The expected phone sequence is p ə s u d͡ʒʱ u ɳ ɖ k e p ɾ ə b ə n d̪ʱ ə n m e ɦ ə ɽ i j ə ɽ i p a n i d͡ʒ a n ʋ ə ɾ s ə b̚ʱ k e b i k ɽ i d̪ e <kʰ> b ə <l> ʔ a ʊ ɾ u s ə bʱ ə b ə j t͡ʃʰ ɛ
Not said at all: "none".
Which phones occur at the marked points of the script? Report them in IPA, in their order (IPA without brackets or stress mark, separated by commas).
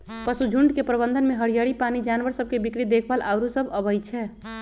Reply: kʰ, l